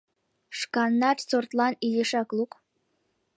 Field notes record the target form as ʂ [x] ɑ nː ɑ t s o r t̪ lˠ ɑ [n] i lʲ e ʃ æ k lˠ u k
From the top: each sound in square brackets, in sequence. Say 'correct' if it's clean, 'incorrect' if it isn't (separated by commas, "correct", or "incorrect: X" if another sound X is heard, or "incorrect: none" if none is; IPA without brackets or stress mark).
incorrect: k, correct